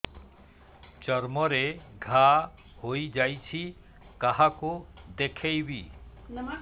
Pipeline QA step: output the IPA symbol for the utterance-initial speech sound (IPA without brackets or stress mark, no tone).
t͡ʃ